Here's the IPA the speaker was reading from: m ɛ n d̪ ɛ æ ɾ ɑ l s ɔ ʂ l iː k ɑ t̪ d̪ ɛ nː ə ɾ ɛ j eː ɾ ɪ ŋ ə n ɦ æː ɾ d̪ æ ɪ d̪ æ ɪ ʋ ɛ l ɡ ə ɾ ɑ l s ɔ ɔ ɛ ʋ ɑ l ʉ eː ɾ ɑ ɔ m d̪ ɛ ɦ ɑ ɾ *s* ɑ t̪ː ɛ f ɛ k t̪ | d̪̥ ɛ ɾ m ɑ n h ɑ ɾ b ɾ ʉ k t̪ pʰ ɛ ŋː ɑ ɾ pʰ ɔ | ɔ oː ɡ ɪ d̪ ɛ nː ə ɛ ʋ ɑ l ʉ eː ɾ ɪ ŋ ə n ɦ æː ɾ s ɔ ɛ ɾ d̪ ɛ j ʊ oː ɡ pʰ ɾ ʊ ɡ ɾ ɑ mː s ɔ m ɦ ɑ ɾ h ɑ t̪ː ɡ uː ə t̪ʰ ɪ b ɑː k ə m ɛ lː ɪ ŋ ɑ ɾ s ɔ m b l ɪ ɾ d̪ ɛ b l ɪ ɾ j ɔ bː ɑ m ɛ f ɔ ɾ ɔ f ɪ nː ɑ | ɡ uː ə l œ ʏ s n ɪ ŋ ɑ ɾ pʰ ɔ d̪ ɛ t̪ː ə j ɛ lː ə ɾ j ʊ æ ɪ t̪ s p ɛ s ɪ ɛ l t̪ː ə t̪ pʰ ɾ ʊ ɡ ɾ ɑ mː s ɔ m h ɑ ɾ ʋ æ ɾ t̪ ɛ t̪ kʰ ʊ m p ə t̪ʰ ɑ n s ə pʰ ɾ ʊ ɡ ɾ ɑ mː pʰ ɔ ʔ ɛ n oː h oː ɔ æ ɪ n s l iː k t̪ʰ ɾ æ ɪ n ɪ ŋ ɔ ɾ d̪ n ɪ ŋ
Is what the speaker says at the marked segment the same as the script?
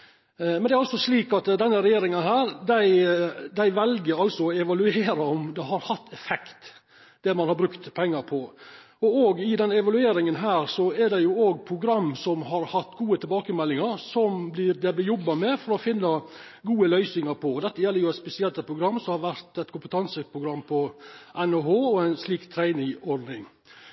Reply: no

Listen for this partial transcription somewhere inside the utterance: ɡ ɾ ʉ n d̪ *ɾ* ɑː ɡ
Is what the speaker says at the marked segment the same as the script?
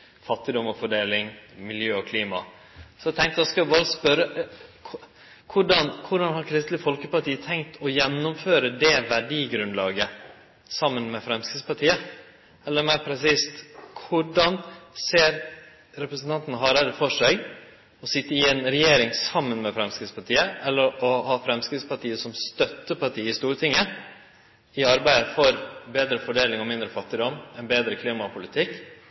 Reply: no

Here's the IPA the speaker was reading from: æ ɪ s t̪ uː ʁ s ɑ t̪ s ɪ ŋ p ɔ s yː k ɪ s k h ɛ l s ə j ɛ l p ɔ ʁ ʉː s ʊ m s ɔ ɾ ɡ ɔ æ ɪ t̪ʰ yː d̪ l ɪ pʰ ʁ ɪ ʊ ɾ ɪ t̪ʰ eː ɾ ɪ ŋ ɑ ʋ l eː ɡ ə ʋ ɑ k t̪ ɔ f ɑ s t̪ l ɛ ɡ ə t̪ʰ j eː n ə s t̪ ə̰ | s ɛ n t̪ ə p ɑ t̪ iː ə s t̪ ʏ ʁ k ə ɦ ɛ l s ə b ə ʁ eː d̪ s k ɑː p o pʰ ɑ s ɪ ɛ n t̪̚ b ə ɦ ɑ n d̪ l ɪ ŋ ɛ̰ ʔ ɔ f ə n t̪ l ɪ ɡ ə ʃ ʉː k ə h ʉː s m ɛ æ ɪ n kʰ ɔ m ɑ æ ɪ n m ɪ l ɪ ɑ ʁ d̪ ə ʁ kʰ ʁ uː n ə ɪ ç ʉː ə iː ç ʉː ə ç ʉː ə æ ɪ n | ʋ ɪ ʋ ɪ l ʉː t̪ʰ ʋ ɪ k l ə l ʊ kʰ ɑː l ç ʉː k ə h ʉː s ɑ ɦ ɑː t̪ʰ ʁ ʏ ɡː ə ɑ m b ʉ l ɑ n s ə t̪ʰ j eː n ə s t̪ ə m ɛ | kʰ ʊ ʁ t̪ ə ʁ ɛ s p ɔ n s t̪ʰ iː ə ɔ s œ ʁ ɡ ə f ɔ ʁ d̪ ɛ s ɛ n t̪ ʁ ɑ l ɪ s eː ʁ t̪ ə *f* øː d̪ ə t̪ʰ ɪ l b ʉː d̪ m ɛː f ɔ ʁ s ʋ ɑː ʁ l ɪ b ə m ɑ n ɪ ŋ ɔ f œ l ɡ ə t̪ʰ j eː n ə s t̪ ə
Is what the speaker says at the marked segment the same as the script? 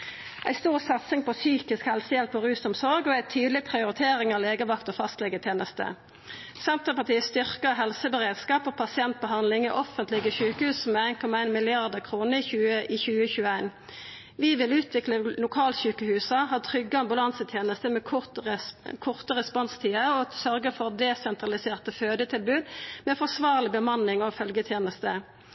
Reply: yes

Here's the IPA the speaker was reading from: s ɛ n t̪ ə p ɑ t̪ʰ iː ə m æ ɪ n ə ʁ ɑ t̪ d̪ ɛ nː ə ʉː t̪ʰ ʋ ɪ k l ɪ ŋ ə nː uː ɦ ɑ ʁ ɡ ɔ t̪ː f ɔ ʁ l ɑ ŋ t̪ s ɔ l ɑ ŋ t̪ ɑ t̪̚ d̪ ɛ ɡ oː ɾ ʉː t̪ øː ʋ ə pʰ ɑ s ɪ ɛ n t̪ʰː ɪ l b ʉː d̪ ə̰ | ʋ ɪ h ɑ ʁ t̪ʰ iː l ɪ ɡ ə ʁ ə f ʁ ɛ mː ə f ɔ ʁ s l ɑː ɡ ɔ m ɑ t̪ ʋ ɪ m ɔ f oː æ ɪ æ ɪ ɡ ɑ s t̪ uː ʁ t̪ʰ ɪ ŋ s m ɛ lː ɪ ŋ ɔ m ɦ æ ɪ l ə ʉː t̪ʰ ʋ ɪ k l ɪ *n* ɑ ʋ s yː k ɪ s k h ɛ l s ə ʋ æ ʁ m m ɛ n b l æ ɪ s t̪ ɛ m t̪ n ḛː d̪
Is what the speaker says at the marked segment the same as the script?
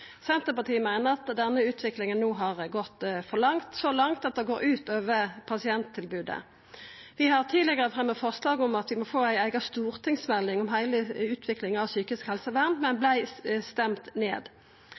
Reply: no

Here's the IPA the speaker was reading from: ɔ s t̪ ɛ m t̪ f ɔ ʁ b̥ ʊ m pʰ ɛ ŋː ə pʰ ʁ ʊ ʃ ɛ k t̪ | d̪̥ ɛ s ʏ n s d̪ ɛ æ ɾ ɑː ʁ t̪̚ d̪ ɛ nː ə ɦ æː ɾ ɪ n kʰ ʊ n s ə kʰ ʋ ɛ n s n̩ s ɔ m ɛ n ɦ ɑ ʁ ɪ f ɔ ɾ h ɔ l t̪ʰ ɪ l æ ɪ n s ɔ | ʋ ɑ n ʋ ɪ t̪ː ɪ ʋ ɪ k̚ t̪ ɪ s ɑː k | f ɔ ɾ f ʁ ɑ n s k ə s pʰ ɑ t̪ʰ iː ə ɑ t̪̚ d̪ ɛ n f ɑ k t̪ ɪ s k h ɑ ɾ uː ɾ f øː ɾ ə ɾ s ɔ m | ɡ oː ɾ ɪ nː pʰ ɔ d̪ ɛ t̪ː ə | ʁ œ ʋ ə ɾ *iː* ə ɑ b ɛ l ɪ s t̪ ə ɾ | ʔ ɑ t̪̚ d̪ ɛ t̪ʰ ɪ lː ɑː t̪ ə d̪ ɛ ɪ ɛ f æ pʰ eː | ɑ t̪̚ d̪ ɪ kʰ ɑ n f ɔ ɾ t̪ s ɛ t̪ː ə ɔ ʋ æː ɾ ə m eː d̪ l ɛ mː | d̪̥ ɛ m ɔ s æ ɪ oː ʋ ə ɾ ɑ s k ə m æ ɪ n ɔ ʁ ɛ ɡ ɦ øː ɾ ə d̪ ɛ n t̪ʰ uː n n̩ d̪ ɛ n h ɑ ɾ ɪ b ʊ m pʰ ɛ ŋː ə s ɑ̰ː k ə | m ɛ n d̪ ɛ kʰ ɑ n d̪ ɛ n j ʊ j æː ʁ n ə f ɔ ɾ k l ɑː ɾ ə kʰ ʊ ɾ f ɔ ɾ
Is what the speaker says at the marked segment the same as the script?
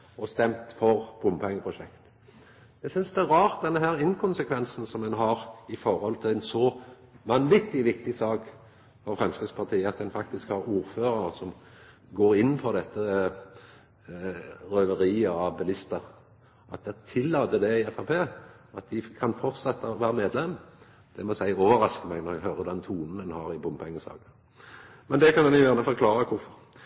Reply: yes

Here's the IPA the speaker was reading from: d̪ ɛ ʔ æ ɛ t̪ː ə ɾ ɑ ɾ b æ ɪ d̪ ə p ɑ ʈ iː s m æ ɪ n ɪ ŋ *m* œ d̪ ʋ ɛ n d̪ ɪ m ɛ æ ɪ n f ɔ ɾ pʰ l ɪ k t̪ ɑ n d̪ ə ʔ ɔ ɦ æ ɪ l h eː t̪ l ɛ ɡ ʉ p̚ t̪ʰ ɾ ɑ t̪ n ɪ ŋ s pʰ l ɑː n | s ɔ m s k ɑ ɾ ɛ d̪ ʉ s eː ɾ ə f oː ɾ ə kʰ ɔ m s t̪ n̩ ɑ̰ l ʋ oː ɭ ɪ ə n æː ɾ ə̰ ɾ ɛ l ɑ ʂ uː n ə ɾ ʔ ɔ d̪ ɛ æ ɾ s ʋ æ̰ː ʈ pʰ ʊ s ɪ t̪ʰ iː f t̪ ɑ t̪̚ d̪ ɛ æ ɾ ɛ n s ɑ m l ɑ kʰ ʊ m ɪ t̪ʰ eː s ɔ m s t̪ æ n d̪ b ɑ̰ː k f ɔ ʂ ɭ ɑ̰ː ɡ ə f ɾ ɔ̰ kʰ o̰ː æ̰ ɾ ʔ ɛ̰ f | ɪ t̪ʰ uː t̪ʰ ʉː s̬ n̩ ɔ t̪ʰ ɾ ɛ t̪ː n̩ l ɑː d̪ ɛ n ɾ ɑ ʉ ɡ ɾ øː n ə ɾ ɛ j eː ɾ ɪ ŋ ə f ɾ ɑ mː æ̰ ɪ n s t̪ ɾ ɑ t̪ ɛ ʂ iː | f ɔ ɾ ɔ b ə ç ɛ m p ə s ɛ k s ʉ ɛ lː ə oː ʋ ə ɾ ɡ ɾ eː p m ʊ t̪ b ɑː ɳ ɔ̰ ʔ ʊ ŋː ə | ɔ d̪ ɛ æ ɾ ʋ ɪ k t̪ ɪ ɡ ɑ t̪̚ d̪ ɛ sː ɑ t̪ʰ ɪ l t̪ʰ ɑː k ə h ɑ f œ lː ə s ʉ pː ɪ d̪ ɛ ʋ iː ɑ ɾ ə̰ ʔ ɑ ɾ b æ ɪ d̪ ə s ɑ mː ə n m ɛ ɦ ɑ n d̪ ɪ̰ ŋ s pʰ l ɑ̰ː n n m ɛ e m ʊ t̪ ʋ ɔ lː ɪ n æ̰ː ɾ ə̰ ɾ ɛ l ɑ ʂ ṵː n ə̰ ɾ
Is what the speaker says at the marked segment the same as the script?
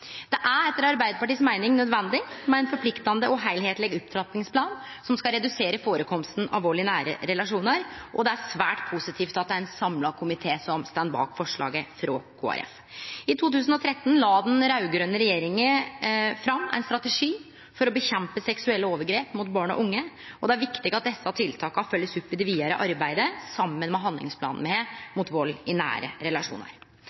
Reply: no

